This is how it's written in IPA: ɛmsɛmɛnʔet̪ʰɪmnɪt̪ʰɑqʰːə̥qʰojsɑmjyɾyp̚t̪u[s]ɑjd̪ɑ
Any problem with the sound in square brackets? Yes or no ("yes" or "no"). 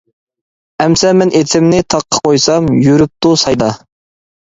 no